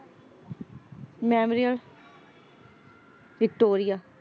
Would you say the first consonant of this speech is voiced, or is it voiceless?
voiced